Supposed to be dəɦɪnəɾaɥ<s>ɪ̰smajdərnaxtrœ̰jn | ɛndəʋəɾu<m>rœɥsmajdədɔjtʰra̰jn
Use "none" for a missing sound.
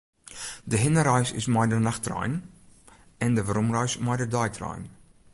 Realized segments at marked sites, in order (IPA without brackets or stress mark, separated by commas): s, m